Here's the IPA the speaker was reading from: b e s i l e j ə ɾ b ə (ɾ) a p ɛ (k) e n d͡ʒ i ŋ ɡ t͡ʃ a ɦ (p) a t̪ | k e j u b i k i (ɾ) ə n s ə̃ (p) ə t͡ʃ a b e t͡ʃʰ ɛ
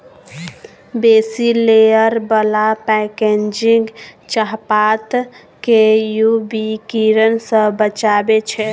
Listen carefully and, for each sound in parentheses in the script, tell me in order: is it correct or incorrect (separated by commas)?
incorrect, correct, correct, correct, incorrect